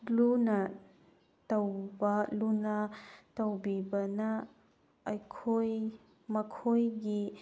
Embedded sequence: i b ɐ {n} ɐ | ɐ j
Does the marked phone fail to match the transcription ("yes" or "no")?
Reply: no